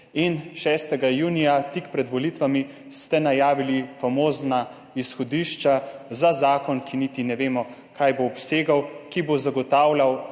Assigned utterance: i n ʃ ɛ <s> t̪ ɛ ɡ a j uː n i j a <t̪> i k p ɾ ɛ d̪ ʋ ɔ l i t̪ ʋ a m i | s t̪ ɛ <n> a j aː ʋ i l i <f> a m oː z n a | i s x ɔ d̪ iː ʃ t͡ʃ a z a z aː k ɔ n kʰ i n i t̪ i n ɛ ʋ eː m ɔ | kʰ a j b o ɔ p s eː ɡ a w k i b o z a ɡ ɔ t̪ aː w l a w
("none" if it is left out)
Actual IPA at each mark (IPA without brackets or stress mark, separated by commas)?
s, t̪, n, f